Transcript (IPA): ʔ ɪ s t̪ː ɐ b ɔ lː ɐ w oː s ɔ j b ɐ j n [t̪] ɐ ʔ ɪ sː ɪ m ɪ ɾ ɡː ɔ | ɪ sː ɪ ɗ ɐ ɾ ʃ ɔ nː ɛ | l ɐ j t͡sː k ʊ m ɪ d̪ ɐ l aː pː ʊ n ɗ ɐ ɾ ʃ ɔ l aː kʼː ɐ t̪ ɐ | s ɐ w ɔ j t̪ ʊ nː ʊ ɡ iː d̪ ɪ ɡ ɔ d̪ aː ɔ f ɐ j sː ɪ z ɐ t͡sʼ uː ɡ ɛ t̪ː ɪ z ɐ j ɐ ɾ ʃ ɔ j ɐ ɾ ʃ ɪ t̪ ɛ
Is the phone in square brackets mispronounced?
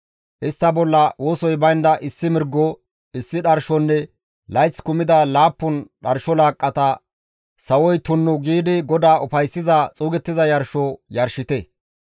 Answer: yes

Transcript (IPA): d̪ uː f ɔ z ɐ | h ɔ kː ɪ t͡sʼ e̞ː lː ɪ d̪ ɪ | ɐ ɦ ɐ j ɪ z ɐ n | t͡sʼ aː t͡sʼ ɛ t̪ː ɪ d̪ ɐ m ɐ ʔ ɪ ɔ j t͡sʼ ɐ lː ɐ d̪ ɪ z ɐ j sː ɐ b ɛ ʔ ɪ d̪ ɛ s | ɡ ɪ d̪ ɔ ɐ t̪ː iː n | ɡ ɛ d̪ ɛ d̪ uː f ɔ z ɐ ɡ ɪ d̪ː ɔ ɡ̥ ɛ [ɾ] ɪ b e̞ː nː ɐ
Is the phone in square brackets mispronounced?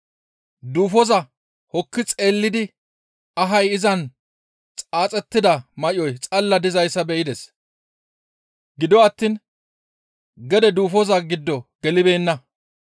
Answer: yes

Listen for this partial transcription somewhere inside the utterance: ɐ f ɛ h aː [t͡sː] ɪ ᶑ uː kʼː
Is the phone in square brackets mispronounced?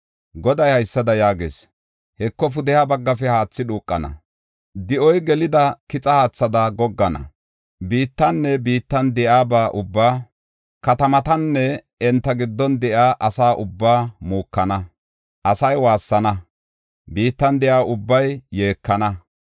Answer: no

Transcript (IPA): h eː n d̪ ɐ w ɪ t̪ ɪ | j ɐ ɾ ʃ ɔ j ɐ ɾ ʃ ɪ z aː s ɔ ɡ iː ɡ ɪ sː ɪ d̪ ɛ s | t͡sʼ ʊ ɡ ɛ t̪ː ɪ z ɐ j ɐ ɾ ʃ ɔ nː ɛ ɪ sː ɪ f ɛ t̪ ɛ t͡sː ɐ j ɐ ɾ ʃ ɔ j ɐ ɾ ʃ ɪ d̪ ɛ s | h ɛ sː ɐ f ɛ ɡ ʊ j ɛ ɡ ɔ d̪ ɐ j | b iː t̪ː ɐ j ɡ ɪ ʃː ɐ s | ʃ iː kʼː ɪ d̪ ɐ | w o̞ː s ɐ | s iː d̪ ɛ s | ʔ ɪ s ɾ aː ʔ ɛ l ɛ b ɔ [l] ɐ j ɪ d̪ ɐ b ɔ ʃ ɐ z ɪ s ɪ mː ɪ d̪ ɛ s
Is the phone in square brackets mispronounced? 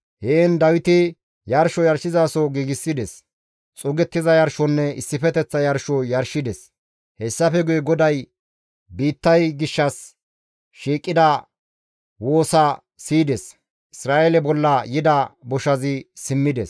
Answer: yes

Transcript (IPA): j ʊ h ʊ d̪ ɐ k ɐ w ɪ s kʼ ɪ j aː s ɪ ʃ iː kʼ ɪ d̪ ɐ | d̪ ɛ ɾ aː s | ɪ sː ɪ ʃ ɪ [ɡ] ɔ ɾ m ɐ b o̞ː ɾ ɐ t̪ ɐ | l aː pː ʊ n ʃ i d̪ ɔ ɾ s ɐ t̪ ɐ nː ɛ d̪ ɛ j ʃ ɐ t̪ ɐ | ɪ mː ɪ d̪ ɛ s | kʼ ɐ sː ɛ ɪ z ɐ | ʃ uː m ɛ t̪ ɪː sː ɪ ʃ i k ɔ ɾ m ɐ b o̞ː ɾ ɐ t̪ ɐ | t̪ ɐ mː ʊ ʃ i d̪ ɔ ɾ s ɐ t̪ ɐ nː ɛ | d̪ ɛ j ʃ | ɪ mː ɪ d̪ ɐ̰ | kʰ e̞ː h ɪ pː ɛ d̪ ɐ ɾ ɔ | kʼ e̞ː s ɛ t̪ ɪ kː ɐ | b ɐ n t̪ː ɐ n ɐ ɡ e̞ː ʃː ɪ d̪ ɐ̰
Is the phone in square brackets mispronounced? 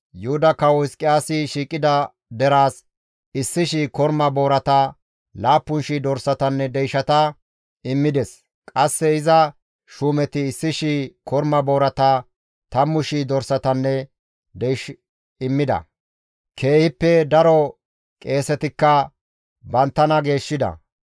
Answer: yes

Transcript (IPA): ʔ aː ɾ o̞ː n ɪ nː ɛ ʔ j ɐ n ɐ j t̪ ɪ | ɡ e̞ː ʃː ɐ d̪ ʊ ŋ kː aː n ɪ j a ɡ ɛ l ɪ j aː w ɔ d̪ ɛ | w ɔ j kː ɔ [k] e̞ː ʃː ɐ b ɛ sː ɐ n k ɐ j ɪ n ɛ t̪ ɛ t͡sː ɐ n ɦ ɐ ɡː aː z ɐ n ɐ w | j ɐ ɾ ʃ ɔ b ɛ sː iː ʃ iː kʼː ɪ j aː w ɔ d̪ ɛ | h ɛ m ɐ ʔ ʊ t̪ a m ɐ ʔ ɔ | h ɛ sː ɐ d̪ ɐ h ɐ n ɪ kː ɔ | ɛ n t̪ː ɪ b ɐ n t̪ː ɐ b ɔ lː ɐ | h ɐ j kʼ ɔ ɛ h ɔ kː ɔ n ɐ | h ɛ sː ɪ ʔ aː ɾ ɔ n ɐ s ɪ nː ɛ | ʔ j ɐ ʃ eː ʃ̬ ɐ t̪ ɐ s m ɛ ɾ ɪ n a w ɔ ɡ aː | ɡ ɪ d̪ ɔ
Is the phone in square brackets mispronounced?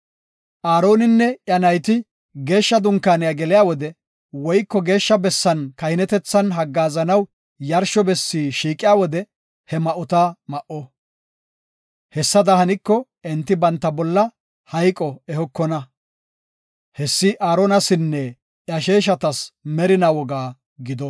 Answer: yes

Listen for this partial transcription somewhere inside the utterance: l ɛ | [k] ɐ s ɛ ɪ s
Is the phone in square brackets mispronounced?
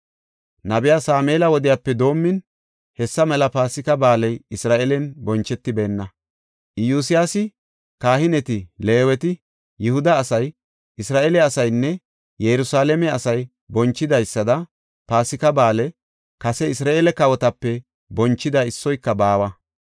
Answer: no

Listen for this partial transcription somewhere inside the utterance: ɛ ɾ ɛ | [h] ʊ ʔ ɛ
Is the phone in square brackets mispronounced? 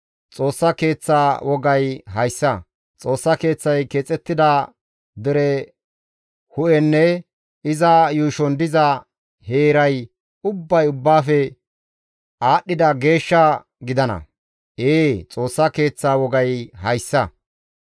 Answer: no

